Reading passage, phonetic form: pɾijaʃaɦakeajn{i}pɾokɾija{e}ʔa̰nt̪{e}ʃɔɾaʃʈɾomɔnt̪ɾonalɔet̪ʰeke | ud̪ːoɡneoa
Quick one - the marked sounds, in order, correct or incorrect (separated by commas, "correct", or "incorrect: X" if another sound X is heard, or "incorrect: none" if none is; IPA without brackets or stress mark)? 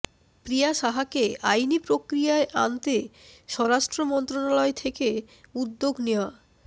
correct, correct, correct